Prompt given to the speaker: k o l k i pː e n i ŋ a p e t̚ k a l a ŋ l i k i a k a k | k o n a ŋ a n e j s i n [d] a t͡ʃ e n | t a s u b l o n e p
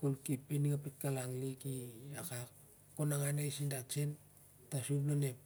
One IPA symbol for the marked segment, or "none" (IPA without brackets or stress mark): d